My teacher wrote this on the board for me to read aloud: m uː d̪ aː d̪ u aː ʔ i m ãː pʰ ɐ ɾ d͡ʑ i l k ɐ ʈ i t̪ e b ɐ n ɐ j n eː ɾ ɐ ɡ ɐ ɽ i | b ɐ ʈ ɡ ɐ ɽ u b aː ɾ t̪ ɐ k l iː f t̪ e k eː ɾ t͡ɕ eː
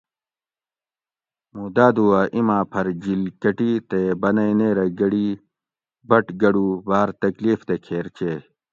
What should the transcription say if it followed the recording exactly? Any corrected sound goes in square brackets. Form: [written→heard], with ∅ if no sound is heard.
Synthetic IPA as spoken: m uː d̪ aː d̪ u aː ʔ i m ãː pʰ ɐ ɾ d͡ʑ i l k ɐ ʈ i t̪ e b ɐ n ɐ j n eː ɾ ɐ ɡ ɐ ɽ i | b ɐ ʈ ɡ ɐ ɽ u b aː ɾ t̪ ɐ k l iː f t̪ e [k→kʰ] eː ɾ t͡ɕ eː